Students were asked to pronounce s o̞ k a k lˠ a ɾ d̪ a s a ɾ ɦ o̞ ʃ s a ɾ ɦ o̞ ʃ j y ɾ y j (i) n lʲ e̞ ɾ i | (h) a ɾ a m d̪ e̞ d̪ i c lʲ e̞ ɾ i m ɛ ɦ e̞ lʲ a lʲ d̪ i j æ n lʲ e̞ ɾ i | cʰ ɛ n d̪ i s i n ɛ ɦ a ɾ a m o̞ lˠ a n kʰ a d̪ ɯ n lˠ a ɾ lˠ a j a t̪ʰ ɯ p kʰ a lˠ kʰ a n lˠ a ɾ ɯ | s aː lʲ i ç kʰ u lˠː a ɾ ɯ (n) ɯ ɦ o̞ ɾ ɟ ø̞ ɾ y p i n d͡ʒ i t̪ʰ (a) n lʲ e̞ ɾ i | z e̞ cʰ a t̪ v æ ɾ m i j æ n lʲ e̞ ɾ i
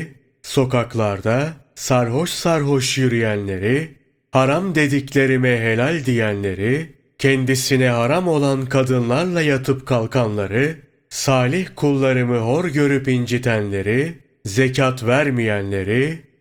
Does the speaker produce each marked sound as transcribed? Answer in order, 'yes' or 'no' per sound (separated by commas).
no, yes, no, no